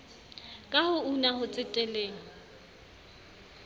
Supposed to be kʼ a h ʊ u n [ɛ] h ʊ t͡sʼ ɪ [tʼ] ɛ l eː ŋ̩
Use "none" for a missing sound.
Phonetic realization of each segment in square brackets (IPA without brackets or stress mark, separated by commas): a, tʼ